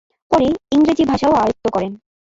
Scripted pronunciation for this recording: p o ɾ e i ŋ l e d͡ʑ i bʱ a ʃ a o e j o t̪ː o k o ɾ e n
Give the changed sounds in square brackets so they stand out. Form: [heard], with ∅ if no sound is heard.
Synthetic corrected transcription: p [ɔ] ɾ e i ŋ [ɾ] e d͡ʑ i bʱ a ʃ a o [a] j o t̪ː o k [ɔ] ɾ e n